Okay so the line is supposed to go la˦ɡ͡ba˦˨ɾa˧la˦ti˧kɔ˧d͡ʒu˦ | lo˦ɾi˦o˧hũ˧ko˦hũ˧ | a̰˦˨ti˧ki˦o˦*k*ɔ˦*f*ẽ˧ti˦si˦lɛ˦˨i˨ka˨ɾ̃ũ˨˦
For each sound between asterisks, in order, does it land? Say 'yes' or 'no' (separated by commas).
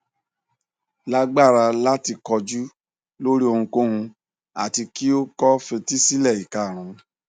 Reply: yes, yes